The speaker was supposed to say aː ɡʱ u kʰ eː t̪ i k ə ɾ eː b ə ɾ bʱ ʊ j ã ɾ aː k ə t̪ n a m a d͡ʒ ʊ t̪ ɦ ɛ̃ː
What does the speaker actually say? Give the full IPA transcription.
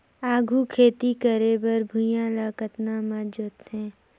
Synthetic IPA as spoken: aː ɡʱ u kʰ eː t̪ i k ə ɾ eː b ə ɾ bʱ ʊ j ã l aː k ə t̪ n a m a d͡ʒ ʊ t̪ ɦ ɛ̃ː